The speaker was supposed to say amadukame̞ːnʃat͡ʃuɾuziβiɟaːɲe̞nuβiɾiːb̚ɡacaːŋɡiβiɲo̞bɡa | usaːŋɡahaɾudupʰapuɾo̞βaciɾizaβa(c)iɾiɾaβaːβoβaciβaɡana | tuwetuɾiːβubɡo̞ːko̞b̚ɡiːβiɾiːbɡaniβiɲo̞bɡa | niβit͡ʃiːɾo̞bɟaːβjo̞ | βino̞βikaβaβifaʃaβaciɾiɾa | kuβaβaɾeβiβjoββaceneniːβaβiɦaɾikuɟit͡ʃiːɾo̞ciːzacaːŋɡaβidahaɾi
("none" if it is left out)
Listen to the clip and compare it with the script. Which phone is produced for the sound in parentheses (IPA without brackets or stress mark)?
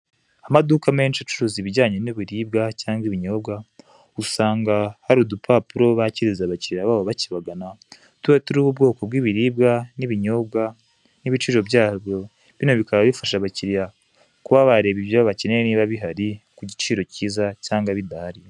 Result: c